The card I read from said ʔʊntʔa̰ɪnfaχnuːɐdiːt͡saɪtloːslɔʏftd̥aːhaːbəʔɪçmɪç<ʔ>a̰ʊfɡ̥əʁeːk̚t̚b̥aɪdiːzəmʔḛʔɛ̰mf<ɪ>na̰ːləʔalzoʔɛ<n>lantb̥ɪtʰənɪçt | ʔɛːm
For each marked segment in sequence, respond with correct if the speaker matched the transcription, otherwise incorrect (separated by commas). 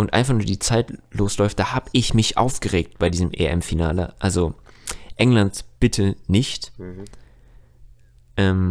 correct, incorrect, incorrect